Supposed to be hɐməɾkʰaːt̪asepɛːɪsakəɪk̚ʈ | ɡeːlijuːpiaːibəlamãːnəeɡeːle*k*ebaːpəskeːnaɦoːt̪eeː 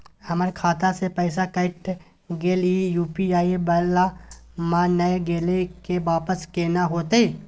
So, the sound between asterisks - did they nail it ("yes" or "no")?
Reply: yes